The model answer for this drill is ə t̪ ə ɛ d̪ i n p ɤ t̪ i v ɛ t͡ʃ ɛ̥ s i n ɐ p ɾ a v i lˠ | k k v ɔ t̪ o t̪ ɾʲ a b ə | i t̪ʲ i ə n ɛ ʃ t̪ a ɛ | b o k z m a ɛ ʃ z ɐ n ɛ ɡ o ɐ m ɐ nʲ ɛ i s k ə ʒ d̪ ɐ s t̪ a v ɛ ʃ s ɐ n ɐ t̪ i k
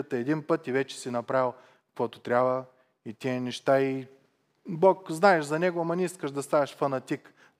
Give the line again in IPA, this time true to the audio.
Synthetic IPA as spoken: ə t̪ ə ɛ d̪ i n p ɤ t̪ i v ɛ t͡ʃ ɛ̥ s i n ɐ p ɾ a v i lˠ | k k v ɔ t̪ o t̪ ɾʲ a b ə | i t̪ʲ i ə n ɛ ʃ t̪ a i | b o k z n a ɛ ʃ z ɐ n ɛ ɡ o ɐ m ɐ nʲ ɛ i s k ə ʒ d̪ ɐ s t̪ a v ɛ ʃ f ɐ n ɐ t̪ i k